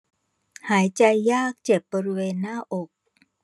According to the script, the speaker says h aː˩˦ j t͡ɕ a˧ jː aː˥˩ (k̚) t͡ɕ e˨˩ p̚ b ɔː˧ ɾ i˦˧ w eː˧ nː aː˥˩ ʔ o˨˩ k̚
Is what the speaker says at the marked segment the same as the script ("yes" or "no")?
yes